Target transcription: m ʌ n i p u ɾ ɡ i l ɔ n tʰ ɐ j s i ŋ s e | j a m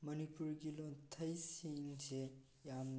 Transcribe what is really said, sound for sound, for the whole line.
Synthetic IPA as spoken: m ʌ n i p u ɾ ɡ i l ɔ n tʰ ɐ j s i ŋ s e | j a m